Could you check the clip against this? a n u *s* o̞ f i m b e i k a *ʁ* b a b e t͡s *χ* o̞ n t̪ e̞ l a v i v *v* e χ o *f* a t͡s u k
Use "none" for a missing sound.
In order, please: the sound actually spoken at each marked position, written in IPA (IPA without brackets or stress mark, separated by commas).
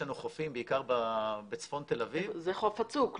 χ, ʁ, f, z, f